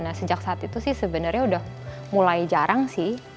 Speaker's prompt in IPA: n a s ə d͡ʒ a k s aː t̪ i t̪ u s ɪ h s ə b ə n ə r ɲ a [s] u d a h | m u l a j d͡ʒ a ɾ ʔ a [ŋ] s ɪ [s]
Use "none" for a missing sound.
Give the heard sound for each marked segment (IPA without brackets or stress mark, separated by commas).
none, ŋ, h